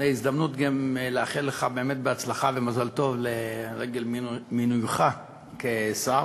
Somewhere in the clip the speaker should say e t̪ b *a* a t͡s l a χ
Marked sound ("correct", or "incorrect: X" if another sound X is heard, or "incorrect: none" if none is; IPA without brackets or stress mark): incorrect: e